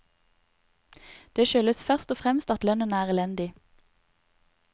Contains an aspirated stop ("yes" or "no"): no